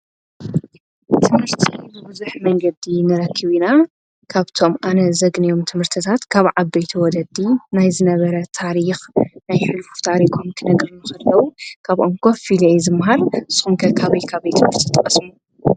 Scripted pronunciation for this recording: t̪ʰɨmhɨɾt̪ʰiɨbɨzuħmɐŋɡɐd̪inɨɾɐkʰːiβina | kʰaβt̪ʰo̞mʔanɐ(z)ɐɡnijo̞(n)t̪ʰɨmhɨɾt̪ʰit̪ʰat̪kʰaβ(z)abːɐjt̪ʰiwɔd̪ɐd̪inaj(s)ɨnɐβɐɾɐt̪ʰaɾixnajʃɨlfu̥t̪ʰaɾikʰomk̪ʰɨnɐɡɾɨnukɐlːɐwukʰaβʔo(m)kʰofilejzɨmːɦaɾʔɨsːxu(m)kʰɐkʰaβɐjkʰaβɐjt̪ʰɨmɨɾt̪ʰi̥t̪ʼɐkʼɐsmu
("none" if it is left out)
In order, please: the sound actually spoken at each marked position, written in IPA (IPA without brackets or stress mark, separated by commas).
z, m, ʕ, z, ŋ, m